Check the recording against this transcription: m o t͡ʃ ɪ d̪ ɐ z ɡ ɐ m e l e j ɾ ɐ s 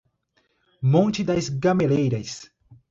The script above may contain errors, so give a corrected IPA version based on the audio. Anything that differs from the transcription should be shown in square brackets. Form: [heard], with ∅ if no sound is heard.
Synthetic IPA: m [õ] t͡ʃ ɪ d̪ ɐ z ɡ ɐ m e l e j ɾ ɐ s